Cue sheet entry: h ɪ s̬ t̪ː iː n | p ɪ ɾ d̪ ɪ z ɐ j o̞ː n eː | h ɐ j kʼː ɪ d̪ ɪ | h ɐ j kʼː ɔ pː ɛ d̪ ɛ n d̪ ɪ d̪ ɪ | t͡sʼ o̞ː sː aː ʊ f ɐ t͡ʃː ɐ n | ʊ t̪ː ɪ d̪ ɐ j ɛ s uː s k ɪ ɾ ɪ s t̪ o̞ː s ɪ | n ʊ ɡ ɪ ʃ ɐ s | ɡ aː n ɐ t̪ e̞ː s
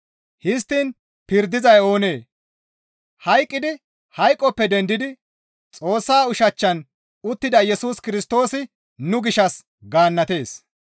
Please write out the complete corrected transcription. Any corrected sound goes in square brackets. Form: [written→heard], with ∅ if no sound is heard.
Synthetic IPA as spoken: h ɪ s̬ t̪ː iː n | p ɪ ɾ d̪ ɪ z ɐ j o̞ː n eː | h ɐ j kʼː ɪ d̪ ɪ | h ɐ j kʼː ɔ pː ɛ d̪ ɛ n d̪ ɪ d̪ ɪ | t͡sʼ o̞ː sː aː ʊ [f→ʃ] ɐ t͡ʃː ɐ n | ʊ t̪ː ɪ d̪ ɐ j ɛ s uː s k ɪ ɾ ɪ s t̪ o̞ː s ɪ | n ʊ ɡ ɪ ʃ ɐ s | ɡ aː [n→nː] ɐ t̪ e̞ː s